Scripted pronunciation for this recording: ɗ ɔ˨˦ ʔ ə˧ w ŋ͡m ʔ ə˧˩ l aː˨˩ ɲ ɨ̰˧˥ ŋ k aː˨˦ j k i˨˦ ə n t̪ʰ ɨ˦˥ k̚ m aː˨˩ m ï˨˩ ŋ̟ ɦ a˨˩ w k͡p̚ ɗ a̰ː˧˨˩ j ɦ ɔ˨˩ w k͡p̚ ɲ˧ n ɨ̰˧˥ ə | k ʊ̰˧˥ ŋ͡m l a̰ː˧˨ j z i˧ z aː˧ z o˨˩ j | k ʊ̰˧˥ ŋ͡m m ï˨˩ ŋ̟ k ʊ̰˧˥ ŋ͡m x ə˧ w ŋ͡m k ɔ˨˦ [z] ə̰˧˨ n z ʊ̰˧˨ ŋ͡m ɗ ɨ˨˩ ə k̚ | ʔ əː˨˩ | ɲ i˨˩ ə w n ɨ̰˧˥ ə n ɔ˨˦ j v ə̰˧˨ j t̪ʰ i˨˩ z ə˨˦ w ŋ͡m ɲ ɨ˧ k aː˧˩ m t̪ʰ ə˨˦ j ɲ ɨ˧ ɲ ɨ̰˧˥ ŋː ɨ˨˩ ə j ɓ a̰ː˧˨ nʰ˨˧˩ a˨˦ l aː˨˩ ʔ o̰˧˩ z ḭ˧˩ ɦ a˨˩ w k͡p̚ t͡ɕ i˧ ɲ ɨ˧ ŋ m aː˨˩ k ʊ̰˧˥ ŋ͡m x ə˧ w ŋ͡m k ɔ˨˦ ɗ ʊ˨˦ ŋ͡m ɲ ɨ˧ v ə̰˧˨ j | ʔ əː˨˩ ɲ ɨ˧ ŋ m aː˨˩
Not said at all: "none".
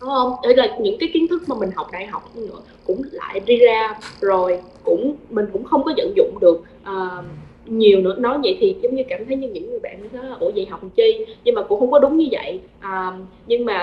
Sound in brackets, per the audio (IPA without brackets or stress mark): z